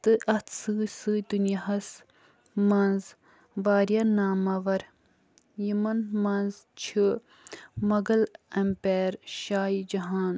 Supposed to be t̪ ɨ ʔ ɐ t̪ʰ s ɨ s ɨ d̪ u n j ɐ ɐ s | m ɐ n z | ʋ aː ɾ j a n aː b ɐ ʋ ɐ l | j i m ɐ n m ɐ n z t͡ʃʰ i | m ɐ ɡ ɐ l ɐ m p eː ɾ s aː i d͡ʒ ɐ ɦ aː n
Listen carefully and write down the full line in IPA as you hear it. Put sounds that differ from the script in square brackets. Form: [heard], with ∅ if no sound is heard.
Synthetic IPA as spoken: t̪ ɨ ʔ ɐ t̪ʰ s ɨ s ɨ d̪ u n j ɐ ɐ s | m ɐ n z | ʋ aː ɾ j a n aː [m] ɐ ʋ ɐ [ɾ] | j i m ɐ n m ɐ n z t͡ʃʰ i | m ɐ ɡ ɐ l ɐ m p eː ɾ [ʃ] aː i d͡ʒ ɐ ɦ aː n